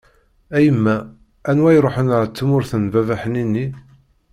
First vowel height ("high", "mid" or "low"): low